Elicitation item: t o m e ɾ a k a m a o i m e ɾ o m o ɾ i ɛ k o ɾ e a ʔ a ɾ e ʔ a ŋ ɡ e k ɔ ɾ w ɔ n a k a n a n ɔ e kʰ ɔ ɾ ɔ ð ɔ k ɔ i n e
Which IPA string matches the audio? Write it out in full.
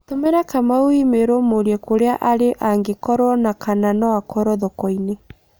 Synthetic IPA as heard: t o m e ɾ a k a m a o i m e ɾ o m o ɾ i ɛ k o ɾ e a ʔ a ɾ e ʔ a ŋ ɡ e k ɔ ɾ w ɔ n a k a n a n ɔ a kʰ ɔ ɾ ɔ ð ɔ k ɔ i n e